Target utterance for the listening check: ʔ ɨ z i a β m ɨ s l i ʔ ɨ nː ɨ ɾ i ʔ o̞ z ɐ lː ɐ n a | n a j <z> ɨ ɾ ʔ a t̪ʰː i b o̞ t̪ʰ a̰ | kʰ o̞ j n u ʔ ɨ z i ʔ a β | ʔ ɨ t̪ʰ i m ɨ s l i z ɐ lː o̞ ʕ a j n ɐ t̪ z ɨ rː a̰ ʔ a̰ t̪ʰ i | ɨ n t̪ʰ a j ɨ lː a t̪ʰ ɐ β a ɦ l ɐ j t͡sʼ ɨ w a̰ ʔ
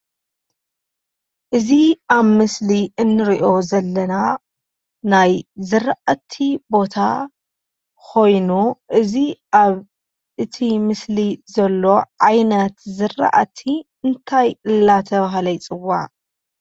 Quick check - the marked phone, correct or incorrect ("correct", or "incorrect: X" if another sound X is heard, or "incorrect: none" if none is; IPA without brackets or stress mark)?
correct